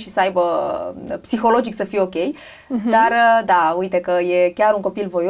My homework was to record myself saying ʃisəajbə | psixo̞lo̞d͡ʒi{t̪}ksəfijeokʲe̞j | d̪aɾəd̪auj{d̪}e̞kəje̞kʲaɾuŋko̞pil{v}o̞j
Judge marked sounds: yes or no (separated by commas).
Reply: no, no, yes